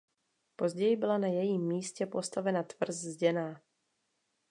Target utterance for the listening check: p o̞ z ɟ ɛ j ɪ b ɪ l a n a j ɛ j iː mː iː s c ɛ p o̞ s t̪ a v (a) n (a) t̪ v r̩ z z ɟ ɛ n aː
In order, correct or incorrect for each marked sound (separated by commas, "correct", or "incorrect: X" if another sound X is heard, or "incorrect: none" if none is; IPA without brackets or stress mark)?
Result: incorrect: ɛ, correct